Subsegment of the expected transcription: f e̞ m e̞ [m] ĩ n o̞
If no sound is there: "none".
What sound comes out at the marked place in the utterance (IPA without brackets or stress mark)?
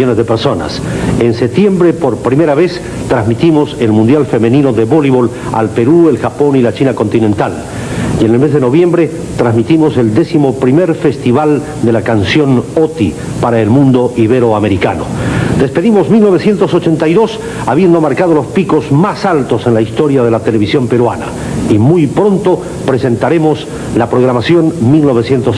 n